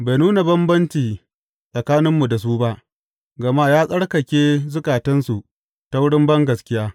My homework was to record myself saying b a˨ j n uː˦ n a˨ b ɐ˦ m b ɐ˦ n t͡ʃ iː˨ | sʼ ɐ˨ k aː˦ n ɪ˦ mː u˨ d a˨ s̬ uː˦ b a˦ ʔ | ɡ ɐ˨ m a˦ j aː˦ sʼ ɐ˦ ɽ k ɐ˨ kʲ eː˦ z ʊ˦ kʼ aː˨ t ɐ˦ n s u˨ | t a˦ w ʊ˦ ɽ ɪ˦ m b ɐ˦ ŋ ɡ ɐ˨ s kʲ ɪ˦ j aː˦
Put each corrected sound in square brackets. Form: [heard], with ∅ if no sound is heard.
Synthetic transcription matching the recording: b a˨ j n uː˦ n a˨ b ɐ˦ m b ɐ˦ n t͡ʃ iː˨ | sʼ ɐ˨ k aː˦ n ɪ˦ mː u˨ d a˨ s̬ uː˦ b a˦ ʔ | ɡ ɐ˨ m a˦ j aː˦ sʼ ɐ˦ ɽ k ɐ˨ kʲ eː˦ z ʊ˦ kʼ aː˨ t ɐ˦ n s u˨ | t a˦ w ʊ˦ ɽ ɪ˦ m b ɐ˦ ŋ ɡ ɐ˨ s kʲ ɪ˦ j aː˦

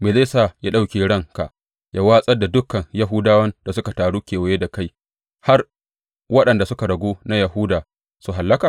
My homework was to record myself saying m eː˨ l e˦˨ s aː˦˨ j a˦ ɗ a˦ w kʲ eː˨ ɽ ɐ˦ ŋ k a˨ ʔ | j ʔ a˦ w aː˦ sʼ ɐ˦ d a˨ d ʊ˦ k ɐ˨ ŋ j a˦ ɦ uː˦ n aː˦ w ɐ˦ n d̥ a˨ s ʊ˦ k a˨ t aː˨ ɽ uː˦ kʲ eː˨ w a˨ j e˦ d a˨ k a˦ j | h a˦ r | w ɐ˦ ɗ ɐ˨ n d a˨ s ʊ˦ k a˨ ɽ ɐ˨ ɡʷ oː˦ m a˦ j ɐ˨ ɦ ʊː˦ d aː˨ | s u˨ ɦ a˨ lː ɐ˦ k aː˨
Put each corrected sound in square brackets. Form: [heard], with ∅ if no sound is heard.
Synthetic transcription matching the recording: m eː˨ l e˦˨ s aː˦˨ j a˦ ɗ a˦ w kʲ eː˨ ɽ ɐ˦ ŋ k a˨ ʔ | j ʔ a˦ w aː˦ sʼ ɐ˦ d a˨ d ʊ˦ k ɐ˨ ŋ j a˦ ɦ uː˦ [d] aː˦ w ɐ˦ n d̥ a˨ s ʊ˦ k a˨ t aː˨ ɽ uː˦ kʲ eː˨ w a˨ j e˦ d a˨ k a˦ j | h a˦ r | w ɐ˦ ɗ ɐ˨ n d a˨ s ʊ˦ k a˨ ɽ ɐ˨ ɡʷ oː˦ [n] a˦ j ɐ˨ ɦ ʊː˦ d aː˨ | s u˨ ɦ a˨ lː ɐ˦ k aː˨

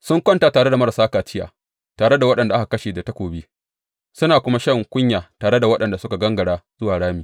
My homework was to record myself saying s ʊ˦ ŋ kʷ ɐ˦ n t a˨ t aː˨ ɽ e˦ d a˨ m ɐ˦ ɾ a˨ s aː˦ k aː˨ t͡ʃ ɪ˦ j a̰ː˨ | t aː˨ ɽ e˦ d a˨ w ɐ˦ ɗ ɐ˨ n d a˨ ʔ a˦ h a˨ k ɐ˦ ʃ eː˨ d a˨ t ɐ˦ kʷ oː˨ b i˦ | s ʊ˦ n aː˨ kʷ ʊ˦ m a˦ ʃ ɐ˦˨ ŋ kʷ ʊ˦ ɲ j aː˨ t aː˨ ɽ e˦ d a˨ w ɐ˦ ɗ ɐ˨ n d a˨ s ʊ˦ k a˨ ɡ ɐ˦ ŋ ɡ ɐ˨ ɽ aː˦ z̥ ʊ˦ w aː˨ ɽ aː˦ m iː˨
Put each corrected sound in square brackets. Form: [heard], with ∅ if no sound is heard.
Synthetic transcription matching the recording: s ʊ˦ ŋ kʷ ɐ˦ n t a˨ t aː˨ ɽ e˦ d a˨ m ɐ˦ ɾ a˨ s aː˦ k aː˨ t͡ʃ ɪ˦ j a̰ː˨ | t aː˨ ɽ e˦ d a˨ w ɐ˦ ɗ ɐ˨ n d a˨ ʔ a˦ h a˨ k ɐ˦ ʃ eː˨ d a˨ t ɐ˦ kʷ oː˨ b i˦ | s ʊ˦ n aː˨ kʷ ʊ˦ m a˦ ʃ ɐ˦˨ ŋ kʷ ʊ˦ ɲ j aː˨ t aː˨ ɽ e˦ d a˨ w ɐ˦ ɗ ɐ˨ n d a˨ s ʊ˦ k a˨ ɡ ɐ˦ ŋ ɡ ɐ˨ ɽ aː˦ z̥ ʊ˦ w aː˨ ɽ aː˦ m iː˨

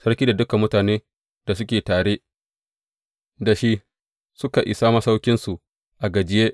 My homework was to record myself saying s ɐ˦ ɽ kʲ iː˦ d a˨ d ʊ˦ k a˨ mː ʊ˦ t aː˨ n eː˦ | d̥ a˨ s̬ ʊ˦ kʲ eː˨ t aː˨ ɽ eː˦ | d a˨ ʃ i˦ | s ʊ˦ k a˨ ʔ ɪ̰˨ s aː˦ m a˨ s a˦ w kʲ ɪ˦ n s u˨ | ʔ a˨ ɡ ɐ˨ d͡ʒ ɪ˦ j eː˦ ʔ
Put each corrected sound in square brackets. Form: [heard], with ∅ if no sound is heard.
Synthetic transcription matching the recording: s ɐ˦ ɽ kʲ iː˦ d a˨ d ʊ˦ k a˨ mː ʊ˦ t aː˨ n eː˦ | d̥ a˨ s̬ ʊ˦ kʲ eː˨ t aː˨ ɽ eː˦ | d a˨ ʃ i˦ | s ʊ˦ k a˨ ʔ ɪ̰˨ s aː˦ m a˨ s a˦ w kʲ ɪ˦ n s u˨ | ʔ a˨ ɡ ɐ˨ d͡ʒ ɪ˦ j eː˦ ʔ

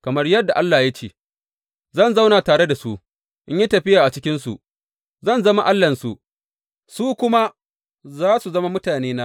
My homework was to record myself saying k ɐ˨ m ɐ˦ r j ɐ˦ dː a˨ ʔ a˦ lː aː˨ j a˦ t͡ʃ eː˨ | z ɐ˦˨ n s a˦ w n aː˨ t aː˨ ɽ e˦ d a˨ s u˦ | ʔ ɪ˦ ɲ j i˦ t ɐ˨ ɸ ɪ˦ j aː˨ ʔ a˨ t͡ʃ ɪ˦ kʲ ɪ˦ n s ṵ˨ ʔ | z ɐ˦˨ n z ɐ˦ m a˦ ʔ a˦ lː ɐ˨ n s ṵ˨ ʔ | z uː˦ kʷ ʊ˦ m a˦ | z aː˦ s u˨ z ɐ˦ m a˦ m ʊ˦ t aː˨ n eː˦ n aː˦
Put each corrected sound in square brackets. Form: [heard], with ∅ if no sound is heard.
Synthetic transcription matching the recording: k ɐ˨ m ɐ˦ r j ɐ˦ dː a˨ ʔ a˦ lː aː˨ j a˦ t͡ʃ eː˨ | z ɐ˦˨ n [z] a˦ w n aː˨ t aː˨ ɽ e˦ d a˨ s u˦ | ʔ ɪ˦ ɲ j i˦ t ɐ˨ ɸ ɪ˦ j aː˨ ʔ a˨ t͡ʃ ɪ˦ kʲ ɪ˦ n s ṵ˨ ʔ | z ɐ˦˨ n z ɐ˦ m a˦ ʔ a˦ lː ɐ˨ n s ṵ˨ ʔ | [s] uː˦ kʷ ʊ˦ m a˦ | z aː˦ s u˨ z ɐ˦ m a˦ m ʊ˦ t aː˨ n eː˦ n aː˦

